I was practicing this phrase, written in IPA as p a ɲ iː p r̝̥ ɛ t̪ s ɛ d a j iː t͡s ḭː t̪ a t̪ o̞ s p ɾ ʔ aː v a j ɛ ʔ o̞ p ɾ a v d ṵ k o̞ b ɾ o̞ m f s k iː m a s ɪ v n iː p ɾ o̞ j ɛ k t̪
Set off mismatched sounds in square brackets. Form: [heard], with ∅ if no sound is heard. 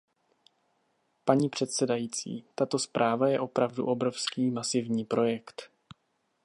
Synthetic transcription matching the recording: p a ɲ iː p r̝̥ ɛ t̪ s ɛ d a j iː t͡s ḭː t̪ a t̪ o̞ s p ɾ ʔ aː v a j ɛ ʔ o̞ p ɾ a v d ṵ [ʔ] o̞ b ɾ o̞ [∅] f s k iː m a s ɪ v [ɲ] iː p ɾ o̞ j ɛ k t̪